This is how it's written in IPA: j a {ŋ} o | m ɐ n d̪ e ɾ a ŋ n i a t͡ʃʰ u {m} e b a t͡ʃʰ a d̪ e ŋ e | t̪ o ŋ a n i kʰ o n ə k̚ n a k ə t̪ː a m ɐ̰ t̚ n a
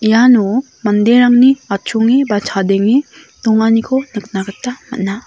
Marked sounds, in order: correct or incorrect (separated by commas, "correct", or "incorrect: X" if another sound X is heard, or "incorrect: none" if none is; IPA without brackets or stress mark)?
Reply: incorrect: n, incorrect: ŋ